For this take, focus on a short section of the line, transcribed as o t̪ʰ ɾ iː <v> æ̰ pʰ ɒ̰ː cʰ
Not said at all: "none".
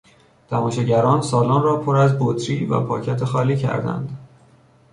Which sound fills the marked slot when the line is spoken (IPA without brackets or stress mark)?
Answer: v